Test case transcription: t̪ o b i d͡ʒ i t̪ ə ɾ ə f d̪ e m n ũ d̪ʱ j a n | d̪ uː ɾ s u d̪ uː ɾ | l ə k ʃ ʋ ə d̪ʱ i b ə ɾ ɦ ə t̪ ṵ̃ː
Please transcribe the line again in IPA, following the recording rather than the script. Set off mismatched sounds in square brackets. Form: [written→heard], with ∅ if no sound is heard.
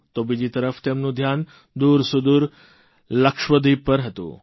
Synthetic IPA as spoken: t̪ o b i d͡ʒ i t̪ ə ɾ ə f [d̪→t̪] e m n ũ d̪ʱ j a n | d̪ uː ɾ s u d̪ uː ɾ | l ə k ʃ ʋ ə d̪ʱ i [b→p] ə ɾ ɦ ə t̪ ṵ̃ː